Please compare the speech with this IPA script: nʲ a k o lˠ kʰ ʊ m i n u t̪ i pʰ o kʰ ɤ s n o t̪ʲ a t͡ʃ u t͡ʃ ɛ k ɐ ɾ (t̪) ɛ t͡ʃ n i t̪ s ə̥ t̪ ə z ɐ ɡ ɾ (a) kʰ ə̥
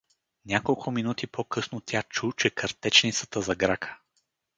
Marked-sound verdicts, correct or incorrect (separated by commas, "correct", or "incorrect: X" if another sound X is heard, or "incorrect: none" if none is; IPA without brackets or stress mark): correct, correct